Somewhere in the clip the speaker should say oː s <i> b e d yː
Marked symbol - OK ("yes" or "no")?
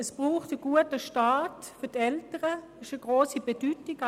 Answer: yes